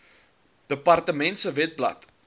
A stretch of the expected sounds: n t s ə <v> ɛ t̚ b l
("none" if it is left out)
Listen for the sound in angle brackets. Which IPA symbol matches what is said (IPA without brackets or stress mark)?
v